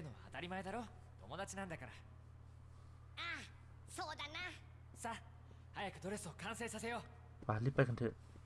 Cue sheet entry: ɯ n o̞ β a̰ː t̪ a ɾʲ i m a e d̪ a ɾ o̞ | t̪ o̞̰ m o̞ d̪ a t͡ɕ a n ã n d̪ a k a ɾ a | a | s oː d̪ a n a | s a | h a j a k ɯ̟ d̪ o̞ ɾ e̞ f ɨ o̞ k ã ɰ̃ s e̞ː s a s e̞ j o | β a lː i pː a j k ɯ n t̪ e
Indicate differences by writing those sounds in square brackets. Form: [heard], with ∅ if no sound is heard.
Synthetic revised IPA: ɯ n o̞ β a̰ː t̪ a ɾʲ i m a e d̪ a ɾ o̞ | t̪ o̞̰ m o̞ d̪ a t͡ɕ [i] n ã n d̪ a k a ɾ a | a | s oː d̪ a n a | s a | h a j a k ɯ̟ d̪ o̞ ɾ e̞ [s] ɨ o̞ k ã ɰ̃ s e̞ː s a s e̞ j o | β a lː i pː a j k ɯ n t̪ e